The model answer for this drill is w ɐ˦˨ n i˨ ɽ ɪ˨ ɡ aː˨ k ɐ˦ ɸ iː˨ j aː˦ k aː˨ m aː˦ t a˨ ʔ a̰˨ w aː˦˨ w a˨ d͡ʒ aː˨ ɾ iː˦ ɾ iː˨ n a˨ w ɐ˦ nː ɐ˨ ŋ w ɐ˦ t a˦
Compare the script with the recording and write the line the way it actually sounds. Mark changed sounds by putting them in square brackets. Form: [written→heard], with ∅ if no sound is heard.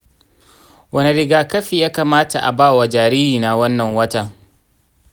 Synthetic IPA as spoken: w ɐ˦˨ n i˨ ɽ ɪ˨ ɡ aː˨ k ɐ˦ ɸ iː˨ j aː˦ k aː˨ m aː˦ t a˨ ʔ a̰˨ [w→b] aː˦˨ w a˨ d͡ʒ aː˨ ɾ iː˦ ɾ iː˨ n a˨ w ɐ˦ nː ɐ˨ ŋ w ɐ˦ t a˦